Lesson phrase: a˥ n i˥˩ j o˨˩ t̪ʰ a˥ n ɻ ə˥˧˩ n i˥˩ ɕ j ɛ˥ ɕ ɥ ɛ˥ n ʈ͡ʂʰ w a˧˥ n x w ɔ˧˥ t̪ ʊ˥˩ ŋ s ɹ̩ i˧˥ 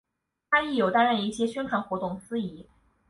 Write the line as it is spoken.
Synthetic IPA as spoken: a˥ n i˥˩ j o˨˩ t̪ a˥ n ɻ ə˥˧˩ n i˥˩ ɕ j ɛ˥ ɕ ɥ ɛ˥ n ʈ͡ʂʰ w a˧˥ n x w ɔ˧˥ t̪ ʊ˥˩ ŋ s ɹ̩ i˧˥